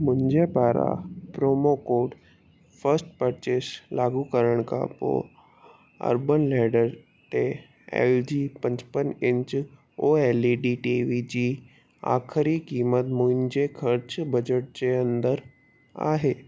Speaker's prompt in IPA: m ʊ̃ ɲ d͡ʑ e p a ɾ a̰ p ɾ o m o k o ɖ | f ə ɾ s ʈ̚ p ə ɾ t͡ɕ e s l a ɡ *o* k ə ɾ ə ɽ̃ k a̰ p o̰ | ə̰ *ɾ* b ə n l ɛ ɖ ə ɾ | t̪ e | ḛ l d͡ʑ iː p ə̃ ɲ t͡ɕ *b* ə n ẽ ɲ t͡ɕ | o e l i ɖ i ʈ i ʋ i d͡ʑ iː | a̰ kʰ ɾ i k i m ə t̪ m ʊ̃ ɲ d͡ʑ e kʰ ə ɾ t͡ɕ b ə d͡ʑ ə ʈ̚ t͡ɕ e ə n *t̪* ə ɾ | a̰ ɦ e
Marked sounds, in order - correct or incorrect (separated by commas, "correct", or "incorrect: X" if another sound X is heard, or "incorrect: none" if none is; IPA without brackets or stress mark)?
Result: incorrect: u, correct, incorrect: p, incorrect: d̪